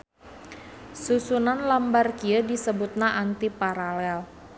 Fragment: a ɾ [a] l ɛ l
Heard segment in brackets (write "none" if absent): a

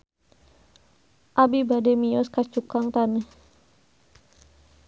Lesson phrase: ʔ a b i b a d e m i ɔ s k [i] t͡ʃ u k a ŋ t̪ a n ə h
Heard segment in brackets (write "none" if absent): a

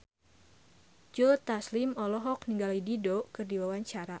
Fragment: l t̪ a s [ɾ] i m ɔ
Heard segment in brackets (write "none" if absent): l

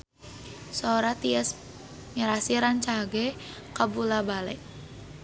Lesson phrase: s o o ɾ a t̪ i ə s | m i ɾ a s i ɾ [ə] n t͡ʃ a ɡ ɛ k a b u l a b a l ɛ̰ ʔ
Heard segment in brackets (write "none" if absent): a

